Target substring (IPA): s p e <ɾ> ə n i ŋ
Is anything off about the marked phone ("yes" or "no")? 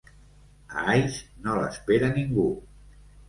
no